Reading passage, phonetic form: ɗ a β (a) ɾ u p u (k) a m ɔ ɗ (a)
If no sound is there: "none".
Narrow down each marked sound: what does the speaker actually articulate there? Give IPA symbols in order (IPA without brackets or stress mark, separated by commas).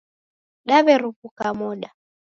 ɛ, k, a